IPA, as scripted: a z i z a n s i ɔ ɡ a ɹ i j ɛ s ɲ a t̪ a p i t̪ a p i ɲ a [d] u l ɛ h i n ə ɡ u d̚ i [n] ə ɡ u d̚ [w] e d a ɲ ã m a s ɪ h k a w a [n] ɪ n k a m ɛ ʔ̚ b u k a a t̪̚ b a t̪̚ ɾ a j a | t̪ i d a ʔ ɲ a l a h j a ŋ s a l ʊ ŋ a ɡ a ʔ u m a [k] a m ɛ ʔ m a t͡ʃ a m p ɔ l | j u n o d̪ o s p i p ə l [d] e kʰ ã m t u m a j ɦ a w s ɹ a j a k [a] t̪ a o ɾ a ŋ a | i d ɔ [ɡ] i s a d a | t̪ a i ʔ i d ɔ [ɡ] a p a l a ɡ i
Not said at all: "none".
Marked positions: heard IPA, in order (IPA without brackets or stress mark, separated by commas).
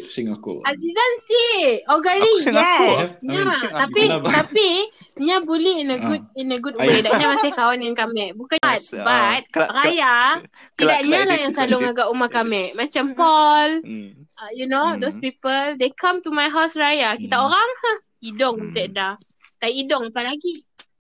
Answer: b, n, w, n, k, d, i, ŋ, ŋ